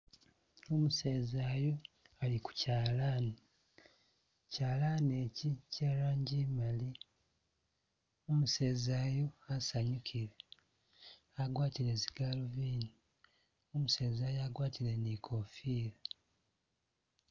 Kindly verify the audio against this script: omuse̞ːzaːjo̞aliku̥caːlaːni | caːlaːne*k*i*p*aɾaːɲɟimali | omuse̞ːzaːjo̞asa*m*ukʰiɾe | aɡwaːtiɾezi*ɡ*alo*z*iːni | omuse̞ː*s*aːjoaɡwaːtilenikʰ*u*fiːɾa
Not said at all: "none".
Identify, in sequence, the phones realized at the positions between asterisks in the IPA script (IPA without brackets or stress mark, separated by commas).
c, c, ɲ, ɡ, v, z, o